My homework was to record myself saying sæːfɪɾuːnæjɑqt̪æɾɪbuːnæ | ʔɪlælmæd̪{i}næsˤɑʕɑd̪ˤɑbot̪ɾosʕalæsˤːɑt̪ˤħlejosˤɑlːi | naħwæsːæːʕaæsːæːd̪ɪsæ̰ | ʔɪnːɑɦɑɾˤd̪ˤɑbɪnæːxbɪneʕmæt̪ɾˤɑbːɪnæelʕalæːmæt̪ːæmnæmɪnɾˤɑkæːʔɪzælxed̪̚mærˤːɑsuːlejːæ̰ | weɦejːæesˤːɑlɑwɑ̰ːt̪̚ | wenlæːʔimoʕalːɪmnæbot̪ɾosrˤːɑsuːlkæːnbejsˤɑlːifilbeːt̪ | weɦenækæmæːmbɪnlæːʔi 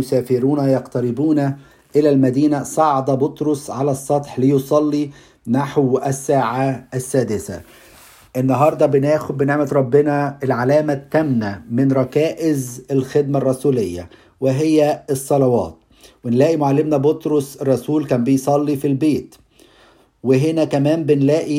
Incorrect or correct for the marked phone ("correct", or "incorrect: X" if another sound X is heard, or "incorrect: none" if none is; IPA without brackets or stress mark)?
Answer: incorrect: iː